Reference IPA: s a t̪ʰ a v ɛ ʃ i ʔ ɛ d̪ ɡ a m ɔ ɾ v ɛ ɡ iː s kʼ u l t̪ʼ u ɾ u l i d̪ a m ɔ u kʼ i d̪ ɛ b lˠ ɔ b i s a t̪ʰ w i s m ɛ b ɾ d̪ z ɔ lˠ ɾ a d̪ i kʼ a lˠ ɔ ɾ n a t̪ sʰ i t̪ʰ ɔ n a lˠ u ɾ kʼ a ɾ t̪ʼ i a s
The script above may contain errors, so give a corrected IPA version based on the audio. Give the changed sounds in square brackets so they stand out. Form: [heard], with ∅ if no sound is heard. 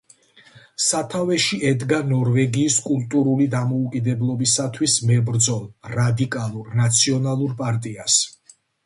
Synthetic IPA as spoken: s a t̪ʰ a v ɛ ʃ i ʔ ɛ d̪ ɡ a [n] ɔ ɾ v ɛ ɡ iː s kʼ u l t̪ʼ u ɾ u l i d̪ a m ɔ u kʼ i d̪ ɛ b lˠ ɔ b i s a t̪ʰ w i s m ɛ b ɾ d̪ z ɔ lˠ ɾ a d̪ i kʼ a lˠ [u] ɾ n a t̪ sʰ i [∅] ɔ n a lˠ u ɾ [pʼ] a ɾ t̪ʼ i a s